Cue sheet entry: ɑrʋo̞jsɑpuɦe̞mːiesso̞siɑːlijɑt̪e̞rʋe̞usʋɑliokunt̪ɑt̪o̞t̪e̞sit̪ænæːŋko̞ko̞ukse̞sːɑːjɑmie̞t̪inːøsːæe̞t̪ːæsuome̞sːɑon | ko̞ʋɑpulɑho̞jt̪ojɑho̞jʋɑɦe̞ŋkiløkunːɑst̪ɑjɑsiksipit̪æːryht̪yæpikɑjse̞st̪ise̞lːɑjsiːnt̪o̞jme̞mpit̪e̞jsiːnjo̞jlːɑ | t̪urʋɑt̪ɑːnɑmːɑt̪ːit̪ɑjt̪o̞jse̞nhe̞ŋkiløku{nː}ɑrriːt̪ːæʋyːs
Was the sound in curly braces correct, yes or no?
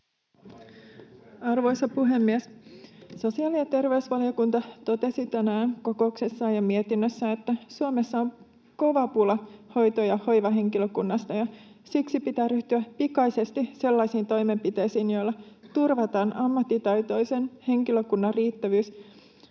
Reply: yes